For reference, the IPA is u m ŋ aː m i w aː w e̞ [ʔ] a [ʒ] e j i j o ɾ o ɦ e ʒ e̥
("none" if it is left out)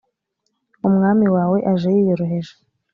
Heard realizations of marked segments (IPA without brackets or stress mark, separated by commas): ʔ, ʒ